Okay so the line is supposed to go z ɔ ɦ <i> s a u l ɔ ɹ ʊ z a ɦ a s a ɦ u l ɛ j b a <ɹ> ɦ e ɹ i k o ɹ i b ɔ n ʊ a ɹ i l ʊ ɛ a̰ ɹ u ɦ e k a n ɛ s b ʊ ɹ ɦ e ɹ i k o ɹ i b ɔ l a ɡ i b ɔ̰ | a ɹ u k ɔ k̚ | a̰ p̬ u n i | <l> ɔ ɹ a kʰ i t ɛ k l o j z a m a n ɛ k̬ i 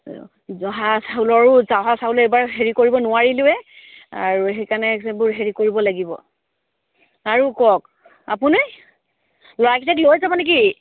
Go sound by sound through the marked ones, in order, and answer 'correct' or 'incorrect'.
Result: incorrect: a, correct, correct

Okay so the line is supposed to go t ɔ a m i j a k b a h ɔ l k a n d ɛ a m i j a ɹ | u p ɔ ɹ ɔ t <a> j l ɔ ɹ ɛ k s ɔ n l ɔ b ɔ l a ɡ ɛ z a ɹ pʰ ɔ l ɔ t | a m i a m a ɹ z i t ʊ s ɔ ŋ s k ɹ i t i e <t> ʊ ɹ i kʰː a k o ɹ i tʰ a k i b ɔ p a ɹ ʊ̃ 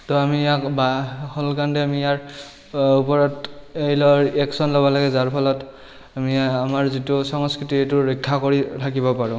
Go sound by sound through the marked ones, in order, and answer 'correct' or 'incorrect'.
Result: incorrect: e, correct

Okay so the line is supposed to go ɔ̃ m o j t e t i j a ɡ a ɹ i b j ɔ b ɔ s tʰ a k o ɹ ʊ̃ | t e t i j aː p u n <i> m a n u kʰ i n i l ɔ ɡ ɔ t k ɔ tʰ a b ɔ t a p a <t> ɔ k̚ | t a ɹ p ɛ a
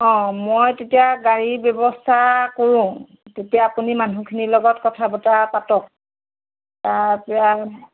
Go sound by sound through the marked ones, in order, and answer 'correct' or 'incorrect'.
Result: correct, correct

